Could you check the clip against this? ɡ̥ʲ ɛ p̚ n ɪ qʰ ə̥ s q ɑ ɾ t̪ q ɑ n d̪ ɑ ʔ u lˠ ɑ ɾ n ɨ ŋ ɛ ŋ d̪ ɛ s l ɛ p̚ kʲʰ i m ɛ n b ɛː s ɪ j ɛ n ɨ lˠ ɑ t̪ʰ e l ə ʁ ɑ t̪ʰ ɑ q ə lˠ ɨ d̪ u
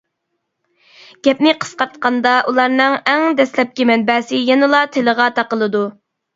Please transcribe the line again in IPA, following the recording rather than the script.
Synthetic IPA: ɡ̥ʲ ɛ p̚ n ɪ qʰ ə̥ s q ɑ ɾ t̪ q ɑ n d̪ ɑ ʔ u lˠ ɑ ɾ n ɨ ŋ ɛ ŋ d̪ ɛ s l ɛ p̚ kʲ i m ɛ n b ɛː s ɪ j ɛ n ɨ lˠ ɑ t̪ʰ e l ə ʁ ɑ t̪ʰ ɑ q ə lˠ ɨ d̪ u